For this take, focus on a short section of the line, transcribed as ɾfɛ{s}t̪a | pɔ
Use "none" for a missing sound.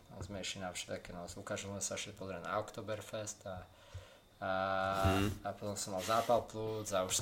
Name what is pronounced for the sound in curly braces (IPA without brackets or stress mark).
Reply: s